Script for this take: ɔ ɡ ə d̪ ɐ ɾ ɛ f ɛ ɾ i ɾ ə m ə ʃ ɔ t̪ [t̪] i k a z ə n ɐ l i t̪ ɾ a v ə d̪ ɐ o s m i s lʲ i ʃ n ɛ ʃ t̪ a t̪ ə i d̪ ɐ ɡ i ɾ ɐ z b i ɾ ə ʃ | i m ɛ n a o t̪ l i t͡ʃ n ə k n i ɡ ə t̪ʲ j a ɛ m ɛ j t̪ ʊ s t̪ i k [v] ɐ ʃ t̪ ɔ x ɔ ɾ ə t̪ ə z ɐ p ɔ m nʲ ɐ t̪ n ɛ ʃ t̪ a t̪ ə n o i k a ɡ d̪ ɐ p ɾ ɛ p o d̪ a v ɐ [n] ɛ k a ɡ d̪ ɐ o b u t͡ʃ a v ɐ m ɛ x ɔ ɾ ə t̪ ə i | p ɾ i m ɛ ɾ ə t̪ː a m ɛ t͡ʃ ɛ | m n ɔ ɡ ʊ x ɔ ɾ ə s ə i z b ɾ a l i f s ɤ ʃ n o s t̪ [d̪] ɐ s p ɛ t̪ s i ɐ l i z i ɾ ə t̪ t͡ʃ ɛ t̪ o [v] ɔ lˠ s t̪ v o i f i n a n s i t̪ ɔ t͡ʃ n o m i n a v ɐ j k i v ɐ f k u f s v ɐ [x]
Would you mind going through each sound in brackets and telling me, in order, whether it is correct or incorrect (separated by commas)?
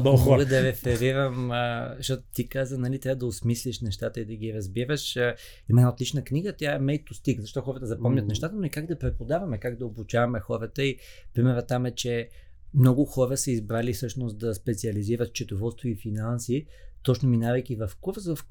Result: correct, incorrect, incorrect, correct, correct, incorrect